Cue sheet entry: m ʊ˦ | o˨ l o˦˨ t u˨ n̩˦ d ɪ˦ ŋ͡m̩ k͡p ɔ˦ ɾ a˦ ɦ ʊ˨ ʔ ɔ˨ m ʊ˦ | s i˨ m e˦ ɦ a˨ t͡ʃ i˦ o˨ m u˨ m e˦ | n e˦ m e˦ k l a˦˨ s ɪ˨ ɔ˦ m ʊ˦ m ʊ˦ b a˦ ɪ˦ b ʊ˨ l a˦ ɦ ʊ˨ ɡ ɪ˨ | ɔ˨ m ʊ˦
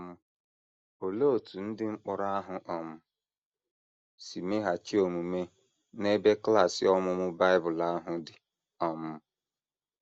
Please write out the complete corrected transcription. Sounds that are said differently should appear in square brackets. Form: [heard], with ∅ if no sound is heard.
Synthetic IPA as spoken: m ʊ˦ | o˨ l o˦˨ t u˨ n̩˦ d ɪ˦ ŋ͡m̩ k͡p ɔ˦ ɾ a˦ ɦ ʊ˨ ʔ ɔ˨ m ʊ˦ | s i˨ m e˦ ɦ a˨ t͡ʃ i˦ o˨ m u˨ m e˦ | n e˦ [b] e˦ k l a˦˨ s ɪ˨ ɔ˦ m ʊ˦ m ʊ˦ b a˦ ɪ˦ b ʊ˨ l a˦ ɦ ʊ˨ [d] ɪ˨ | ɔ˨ m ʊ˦